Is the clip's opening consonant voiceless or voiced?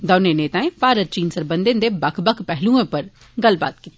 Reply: voiced